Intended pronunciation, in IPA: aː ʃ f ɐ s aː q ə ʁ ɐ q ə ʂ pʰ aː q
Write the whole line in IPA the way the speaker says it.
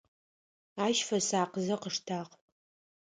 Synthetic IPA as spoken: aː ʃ f ɐ s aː q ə z ɐ q ə ʂ tʰ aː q